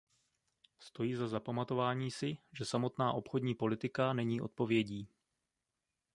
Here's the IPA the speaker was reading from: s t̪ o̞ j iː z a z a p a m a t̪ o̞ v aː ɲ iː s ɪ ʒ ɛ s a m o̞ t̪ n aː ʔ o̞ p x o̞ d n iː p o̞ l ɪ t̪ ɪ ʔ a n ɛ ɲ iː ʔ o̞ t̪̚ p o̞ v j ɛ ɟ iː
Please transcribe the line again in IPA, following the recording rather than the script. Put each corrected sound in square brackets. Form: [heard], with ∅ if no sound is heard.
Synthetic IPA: s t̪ o̞ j iː z a z a p a m a t̪ o̞ v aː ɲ iː s ɪ ʒ ɛ s a m o̞ t̪ n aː ʔ o̞ p x o̞ d [ɲ] iː p o̞ l ɪ t̪ ɪ [k] a n ɛ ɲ iː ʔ o̞ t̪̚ p o̞ v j ɛ ɟ iː